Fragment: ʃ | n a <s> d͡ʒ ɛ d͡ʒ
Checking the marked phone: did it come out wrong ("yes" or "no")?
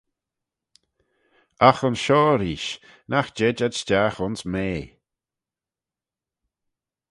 yes